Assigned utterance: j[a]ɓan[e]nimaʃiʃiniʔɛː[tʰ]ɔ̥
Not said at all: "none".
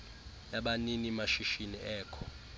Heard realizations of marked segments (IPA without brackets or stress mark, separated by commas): a, i, kʰ